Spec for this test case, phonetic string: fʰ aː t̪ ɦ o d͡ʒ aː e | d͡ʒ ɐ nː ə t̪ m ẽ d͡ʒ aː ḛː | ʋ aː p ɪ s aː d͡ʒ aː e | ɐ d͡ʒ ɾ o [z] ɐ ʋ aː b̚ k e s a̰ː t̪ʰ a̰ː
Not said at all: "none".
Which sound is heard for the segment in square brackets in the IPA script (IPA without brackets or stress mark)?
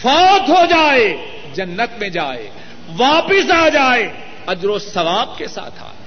s